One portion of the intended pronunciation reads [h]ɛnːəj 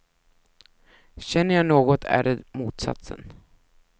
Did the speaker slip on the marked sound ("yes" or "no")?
yes